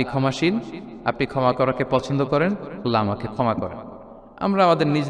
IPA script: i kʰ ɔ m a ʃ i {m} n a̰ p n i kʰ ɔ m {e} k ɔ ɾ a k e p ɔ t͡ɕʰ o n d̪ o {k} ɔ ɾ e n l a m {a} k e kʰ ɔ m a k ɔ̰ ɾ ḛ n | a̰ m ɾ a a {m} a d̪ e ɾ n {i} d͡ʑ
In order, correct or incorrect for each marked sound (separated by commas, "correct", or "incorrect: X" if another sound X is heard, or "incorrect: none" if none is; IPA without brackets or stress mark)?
incorrect: none, incorrect: a, correct, correct, correct, correct